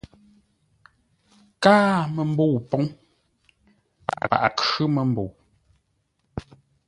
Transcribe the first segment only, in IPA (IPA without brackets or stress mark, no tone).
k